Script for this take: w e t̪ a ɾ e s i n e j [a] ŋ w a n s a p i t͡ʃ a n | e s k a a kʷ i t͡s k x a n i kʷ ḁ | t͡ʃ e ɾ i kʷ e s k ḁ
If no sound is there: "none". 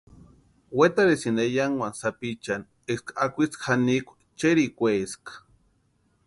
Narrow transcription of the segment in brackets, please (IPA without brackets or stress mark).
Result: a